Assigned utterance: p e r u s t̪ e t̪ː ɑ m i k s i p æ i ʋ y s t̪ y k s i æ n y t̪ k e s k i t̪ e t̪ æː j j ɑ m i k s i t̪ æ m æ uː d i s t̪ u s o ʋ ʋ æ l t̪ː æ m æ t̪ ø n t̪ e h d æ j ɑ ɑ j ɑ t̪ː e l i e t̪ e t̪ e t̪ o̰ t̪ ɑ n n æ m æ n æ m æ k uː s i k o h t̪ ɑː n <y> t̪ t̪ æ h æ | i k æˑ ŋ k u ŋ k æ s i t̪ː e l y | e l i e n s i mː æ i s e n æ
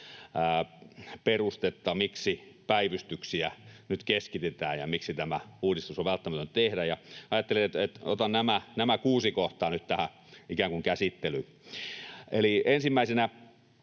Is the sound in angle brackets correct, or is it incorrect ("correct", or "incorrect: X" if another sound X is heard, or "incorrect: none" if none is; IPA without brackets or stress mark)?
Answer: correct